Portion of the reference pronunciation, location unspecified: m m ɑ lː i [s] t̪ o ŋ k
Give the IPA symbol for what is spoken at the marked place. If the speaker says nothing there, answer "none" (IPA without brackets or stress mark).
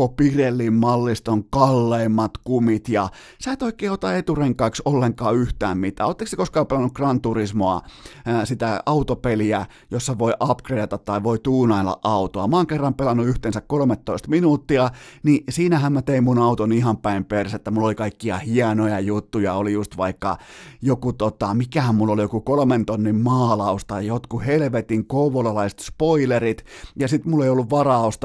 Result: s